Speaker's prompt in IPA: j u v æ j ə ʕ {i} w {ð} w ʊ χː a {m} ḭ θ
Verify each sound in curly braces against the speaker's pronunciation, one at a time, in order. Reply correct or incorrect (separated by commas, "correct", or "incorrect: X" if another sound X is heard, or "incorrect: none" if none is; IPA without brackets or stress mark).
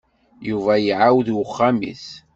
incorrect: a, correct, correct